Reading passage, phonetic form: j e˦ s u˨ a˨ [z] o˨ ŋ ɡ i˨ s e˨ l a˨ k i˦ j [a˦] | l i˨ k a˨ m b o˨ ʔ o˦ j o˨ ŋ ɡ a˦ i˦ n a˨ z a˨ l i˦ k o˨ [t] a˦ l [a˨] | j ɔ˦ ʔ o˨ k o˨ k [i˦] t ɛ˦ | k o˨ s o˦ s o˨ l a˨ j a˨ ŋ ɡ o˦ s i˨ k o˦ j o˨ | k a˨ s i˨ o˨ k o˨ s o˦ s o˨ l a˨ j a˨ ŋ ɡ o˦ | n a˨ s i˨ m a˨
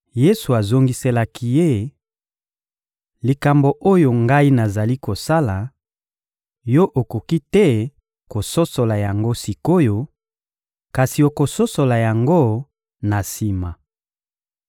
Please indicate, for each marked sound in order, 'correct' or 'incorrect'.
correct, incorrect: e˦, incorrect: s, correct, correct

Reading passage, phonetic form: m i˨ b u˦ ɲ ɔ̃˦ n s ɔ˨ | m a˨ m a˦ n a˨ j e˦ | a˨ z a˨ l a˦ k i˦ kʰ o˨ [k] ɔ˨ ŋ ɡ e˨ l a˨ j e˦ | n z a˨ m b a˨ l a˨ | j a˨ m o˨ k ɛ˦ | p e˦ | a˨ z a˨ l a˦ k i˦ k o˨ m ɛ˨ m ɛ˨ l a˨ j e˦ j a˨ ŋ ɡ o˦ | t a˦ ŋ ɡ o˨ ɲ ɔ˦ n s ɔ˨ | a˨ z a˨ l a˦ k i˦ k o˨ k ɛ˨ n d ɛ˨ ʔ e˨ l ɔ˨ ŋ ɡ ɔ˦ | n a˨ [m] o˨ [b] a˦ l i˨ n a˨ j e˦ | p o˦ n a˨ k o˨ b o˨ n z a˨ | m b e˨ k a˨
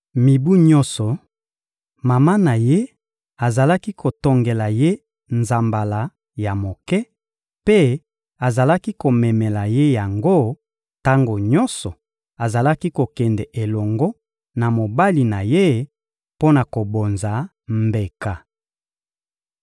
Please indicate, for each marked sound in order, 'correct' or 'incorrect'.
incorrect: t, correct, correct

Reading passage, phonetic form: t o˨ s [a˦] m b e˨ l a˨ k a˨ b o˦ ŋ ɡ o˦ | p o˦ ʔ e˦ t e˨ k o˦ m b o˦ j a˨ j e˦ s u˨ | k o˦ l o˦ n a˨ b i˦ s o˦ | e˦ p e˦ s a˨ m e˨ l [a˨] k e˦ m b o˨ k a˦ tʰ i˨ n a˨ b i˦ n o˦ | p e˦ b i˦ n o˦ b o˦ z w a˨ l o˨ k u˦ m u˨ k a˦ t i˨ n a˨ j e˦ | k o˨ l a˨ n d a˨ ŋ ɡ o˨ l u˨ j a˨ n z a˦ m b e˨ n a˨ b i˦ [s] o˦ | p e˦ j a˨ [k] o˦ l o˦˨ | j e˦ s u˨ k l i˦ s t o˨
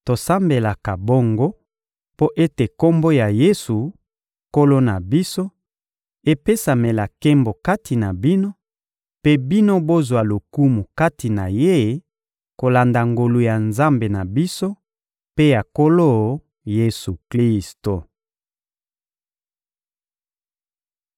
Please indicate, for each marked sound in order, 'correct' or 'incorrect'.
correct, correct, correct, correct

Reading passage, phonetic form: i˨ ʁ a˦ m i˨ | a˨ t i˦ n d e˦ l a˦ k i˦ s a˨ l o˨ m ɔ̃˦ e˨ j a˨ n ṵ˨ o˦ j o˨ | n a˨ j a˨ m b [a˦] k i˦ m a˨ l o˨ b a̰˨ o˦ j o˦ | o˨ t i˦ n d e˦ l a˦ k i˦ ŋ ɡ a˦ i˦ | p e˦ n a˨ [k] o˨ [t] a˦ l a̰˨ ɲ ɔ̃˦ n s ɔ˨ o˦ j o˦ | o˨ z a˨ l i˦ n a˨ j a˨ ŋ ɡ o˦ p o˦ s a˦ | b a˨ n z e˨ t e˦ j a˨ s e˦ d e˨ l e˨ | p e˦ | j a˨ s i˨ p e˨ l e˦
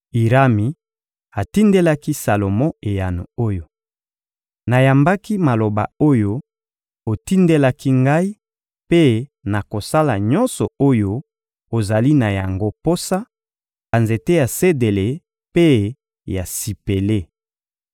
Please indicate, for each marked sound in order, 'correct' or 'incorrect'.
correct, correct, incorrect: s

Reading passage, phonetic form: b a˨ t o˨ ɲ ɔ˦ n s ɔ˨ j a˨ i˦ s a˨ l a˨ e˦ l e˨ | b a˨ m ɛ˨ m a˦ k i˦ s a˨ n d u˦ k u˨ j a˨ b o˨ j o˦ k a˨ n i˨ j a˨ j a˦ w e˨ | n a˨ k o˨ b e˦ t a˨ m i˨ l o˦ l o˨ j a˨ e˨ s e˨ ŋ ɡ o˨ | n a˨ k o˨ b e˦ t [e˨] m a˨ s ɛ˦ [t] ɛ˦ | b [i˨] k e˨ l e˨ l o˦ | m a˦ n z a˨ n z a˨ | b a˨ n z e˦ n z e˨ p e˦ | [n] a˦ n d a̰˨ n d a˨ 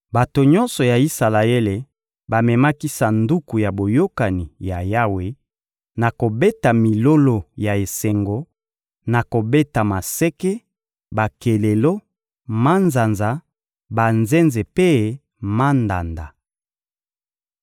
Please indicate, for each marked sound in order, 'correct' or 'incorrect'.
incorrect: a˨, incorrect: k, incorrect: a˨, incorrect: m

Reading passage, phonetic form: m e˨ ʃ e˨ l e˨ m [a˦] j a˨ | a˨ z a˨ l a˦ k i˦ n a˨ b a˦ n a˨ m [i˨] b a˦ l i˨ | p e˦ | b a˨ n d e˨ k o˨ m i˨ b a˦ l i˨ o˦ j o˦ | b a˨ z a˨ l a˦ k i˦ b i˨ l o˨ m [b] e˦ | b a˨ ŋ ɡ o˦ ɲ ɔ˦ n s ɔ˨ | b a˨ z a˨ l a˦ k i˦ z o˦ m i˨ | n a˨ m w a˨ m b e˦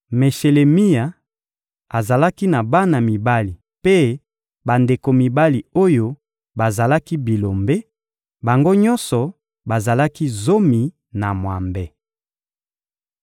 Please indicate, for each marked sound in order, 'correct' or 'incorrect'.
incorrect: i˦, correct, correct

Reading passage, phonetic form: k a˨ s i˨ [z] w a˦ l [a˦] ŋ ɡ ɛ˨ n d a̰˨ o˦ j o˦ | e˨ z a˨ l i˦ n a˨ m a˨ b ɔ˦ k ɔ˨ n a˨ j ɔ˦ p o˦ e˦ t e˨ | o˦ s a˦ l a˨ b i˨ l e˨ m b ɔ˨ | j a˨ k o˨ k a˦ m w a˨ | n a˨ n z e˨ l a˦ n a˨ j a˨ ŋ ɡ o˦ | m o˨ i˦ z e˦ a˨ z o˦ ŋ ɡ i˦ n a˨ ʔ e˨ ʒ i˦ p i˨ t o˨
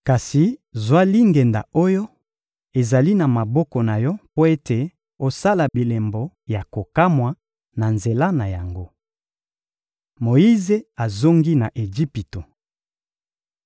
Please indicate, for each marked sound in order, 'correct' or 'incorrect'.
correct, incorrect: i˦

